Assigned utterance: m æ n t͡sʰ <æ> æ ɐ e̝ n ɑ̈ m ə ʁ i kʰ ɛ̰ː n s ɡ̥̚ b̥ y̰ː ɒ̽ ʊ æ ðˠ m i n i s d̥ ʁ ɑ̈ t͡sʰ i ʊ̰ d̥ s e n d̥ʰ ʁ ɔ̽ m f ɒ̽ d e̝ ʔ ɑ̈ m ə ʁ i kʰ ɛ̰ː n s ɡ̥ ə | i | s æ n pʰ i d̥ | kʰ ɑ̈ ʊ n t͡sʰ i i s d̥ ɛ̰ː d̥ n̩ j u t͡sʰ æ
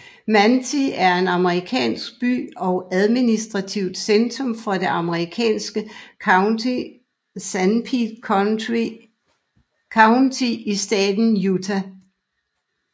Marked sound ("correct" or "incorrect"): incorrect